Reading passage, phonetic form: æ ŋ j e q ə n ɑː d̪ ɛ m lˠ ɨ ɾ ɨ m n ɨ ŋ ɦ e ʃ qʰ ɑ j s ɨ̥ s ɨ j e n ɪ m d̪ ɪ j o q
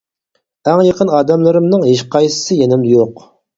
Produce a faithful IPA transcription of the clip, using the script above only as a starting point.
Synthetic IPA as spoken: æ ŋ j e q ə n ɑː d̪ ɛ m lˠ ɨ ɾ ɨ m n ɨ ŋ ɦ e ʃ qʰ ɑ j s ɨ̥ s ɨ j e n ɪ m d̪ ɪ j o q